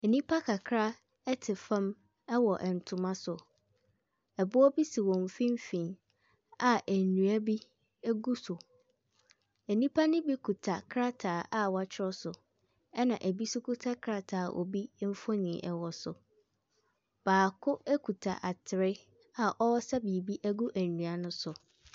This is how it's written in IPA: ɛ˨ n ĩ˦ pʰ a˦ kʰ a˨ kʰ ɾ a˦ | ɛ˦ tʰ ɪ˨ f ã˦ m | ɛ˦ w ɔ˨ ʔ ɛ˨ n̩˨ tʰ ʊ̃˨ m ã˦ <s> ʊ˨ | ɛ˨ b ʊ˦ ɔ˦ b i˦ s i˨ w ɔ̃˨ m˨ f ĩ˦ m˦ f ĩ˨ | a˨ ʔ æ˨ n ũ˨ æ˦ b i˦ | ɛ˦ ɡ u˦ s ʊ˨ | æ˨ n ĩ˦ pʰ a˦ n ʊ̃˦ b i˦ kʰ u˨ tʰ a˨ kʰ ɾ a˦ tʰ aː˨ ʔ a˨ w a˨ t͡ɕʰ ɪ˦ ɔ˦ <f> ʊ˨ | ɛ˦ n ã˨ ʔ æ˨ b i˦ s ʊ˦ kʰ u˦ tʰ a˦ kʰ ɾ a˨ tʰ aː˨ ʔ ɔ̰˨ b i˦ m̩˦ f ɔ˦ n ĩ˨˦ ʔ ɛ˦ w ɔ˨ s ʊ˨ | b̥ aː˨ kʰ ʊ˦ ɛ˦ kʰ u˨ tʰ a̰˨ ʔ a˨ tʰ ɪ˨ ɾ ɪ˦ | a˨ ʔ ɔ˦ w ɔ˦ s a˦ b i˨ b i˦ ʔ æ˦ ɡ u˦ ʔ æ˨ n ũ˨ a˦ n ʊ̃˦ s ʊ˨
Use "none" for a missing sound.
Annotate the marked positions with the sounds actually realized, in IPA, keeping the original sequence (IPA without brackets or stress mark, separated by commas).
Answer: s, s